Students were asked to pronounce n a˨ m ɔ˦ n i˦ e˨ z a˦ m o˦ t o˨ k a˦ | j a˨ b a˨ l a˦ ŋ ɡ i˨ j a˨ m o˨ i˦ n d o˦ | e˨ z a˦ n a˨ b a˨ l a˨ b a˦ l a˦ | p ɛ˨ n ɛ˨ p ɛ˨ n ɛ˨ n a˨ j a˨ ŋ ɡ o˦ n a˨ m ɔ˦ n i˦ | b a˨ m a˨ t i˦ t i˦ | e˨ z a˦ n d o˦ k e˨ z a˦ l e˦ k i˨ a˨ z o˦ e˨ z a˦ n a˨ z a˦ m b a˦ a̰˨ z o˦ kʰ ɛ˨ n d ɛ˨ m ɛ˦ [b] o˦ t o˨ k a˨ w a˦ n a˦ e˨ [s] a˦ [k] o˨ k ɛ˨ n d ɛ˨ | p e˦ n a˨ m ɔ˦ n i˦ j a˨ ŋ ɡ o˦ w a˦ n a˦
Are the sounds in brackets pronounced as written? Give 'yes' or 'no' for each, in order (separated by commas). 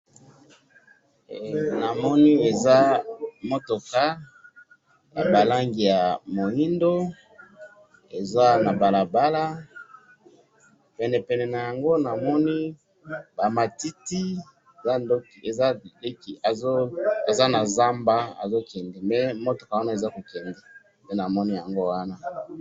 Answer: no, no, yes